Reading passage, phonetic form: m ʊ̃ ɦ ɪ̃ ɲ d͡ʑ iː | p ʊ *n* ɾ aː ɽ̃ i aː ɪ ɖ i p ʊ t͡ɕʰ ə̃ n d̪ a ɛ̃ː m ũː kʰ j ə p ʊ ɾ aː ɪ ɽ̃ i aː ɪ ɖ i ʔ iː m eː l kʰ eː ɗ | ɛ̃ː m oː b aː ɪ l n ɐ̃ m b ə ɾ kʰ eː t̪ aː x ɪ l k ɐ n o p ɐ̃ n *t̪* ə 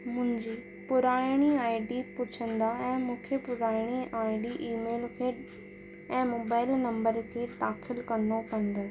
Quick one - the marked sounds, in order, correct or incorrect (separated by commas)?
incorrect, incorrect